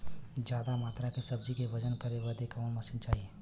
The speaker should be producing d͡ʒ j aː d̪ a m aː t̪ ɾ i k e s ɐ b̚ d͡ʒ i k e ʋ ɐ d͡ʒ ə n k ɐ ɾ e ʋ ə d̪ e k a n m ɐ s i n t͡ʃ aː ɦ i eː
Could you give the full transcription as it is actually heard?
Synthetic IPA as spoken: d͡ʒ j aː d̪ a m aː t̪ ɾ a k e s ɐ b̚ d͡ʒ i k e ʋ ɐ d͡ʒ ə n k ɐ ɾ e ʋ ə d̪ e k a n m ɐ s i n t͡ʃ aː ɦ i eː